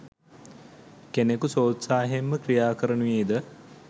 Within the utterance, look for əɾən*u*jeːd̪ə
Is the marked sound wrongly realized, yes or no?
no